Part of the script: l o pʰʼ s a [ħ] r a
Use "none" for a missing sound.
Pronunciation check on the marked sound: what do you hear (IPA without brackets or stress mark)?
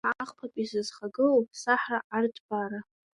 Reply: ħ